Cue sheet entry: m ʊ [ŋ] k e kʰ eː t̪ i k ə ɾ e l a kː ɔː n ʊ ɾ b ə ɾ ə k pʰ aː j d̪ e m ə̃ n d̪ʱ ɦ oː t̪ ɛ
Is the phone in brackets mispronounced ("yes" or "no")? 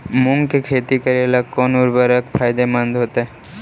no